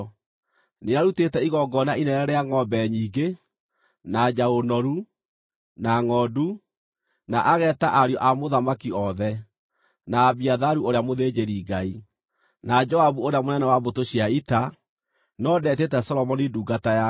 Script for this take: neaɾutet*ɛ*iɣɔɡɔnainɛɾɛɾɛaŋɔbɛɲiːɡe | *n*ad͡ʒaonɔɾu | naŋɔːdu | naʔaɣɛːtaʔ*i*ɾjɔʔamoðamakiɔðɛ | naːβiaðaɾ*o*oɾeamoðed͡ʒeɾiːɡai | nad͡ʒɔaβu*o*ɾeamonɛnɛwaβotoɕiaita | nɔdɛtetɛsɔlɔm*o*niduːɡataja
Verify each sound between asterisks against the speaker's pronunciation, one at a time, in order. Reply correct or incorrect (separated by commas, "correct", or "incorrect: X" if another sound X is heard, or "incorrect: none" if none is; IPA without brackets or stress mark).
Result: correct, correct, incorrect: a, incorrect: u, correct, incorrect: ɔ